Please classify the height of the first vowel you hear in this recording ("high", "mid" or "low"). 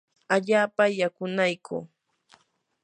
low